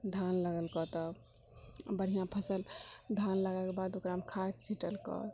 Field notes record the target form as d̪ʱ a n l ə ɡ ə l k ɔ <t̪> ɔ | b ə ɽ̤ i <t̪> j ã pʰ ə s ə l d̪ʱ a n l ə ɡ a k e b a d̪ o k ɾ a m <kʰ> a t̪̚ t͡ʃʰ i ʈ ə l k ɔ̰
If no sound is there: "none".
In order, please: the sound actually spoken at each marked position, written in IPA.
t̪, none, kʰ

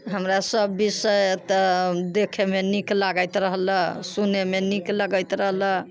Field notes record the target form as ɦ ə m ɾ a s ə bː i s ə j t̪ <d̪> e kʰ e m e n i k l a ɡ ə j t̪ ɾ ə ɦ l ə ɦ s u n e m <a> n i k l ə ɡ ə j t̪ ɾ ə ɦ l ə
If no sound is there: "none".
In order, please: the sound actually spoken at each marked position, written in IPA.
d̪, e

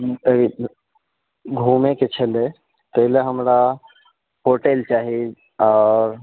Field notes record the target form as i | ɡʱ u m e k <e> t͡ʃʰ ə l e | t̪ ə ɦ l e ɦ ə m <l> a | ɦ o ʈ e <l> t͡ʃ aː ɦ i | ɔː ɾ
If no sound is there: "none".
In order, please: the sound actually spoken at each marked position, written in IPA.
e, ɾ, l

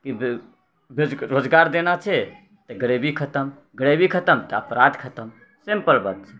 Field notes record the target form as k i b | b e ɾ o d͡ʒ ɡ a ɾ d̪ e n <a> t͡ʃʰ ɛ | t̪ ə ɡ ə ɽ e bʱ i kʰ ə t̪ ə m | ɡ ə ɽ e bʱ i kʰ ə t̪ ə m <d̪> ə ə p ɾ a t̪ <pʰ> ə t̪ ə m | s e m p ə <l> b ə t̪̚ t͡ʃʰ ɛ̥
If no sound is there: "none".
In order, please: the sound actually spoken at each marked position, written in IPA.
a, t̪, kʰ, l

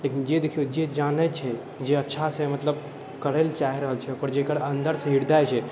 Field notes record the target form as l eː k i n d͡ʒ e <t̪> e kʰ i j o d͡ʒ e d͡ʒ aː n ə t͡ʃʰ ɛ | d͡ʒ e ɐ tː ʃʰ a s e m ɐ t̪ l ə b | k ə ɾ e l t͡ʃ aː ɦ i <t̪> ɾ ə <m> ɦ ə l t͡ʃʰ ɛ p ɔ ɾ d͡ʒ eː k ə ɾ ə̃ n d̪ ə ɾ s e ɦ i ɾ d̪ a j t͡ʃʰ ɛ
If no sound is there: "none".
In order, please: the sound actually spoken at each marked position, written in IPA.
d̪, none, none

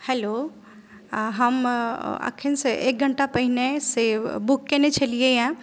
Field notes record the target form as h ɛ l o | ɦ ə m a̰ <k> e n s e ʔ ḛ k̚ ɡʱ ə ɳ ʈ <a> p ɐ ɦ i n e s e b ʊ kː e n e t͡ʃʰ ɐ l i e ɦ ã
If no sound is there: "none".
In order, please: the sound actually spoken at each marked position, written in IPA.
kʰ, a

